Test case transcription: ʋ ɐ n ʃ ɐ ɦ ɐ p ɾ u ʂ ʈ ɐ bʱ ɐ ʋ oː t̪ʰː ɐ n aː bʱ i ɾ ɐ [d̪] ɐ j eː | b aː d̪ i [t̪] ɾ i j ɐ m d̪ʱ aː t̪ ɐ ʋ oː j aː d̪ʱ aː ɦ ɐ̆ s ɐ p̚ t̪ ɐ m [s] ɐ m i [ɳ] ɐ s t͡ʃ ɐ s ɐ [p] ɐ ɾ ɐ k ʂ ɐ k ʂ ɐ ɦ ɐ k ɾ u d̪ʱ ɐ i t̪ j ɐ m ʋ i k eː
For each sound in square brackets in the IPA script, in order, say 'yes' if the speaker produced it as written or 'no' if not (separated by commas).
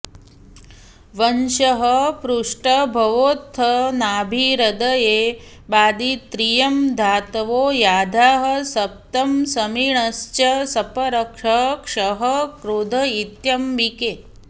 yes, yes, yes, yes, yes